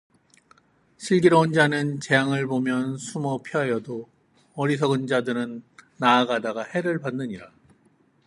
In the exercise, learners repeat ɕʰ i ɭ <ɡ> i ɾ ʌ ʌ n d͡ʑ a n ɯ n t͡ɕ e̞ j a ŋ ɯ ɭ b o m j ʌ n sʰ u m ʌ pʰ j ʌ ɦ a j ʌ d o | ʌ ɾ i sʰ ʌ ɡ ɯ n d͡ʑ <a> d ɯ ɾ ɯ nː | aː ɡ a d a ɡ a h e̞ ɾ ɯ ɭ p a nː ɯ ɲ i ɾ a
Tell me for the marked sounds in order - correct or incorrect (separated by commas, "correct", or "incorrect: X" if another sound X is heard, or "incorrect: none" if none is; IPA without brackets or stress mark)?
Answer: correct, correct